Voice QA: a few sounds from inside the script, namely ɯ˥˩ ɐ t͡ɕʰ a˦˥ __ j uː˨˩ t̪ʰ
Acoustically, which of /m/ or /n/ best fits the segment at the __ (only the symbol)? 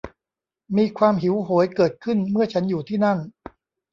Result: n